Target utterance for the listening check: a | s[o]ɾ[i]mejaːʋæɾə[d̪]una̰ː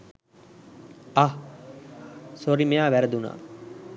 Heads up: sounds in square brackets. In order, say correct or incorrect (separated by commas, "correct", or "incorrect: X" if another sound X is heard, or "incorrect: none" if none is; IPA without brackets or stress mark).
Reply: correct, correct, correct